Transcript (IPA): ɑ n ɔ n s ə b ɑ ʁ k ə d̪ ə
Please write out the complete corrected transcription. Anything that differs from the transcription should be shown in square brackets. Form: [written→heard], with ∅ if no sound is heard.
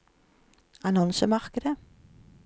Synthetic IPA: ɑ n ɔ n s ə [b→m] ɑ ʁ k ə d̪ ə